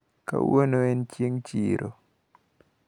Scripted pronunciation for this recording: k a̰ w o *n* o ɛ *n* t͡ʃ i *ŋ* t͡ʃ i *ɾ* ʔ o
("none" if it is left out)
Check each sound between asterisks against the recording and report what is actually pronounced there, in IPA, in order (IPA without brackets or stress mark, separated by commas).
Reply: n, n, ŋ, ɾ